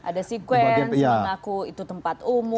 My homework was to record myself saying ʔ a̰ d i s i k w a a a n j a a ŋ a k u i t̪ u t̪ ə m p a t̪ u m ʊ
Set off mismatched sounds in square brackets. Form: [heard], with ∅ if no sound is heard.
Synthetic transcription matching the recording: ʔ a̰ d [a] s i k w [ɛ] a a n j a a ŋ a k u i t̪ u t̪ ə m p a t̪ u m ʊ